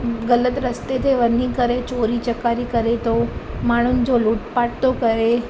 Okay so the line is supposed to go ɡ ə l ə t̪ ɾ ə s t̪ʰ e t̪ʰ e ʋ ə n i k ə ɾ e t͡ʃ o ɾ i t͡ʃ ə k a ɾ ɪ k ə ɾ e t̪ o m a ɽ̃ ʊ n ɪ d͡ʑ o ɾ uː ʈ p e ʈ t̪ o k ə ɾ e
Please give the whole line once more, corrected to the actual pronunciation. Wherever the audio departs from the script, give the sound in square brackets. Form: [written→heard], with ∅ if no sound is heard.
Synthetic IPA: ɡ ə l ə t̪ ɾ ə s [t̪ʰ→t̪] e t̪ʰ e ʋ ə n i k ə ɾ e t͡ʃ o ɾ i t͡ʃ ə k a ɾ [ɪ→i] k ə ɾ e t̪ o m a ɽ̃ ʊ n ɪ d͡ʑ o [ɾ→l] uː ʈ p [e→a] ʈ t̪ o k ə ɾ e

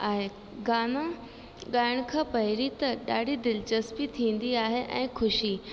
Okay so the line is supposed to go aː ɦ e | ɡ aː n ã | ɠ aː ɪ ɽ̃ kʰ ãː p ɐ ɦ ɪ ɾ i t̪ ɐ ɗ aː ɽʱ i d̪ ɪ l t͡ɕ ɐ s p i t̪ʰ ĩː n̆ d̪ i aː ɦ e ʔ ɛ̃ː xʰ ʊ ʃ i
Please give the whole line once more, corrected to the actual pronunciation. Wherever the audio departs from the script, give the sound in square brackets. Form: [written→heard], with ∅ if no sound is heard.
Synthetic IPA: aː ɦ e | ɡ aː n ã | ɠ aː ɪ ɽ̃ kʰ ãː p ɐ ɦ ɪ ɾ i t̪ ɐ ɗ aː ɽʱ i d̪ ɪ l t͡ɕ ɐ s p i t̪ʰ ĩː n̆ d̪ i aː ɦ e ʔ ɛ̃ː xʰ ʊ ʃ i

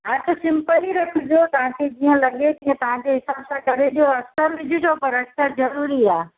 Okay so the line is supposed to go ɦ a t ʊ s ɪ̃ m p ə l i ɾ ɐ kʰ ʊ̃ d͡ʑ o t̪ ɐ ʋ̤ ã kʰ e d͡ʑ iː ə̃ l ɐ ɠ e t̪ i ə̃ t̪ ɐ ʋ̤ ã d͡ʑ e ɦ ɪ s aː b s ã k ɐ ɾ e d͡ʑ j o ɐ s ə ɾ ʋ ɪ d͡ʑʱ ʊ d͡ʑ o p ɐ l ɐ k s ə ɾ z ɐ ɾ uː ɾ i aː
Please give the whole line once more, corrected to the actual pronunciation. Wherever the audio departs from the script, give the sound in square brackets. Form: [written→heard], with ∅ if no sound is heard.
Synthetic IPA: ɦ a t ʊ s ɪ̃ m p ə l i ɾ ɐ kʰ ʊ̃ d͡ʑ o t̪ ɐ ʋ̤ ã kʰ e d͡ʑ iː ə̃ l ɐ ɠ e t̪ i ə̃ t̪ ɐ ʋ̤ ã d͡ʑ e ɦ ɪ s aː b s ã k ɐ ɾ e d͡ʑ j o ɐ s ə ɾ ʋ ɪ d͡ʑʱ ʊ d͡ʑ o p ɐ [l→ɾ] ɐ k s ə ɾ z ɐ ɾ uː ɾ i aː

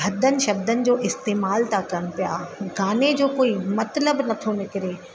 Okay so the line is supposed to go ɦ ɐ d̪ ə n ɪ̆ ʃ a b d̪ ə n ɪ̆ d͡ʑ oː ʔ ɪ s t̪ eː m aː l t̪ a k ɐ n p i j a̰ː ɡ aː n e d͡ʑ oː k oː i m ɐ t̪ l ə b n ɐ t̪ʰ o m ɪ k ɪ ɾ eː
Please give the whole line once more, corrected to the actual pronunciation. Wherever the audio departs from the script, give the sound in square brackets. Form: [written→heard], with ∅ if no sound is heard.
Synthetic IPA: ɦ ɐ d̪ ə n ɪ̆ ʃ [a→ɐ] b d̪ ə n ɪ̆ d͡ʑ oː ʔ ɪ s t̪ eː m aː l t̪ a k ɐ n p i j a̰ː ɡ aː n e d͡ʑ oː k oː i m ɐ t̪ l ə b n ɐ t̪ʰ o [m→n] ɪ k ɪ ɾ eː

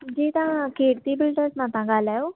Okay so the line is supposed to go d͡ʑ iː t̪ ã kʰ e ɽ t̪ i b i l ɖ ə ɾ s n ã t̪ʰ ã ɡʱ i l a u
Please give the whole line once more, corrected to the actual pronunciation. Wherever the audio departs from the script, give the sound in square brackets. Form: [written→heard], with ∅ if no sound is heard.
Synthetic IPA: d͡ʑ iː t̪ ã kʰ e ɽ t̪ i b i l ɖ ə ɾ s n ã [t̪ʰ→t̪] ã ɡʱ [i→a] l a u

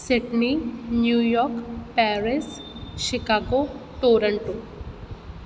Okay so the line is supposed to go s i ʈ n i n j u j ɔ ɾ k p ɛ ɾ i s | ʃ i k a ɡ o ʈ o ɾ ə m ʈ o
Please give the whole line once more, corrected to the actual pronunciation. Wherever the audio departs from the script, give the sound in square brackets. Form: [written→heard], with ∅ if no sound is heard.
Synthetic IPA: s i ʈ n i n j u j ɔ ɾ k p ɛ ɾ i s | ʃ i k a ɡ o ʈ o ɾ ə [m→ɳ] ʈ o

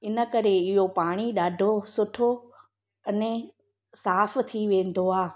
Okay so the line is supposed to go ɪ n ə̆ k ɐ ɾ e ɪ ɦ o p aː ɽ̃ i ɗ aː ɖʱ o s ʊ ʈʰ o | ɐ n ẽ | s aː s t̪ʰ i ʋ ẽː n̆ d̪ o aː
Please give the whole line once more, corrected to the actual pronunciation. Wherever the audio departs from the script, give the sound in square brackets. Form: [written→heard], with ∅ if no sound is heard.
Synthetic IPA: ɪ n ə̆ k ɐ ɾ e ɪ ɦ o p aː ɽ̃ i ɗ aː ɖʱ o s ʊ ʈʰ o | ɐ n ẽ | s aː [s→f] t̪ʰ i ʋ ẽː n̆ d̪ o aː

